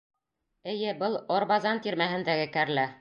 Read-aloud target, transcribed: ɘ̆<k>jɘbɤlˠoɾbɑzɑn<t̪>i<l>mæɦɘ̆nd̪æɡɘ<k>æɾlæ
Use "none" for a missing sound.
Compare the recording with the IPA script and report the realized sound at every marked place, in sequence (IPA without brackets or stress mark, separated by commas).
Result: none, t̪, ɾ, k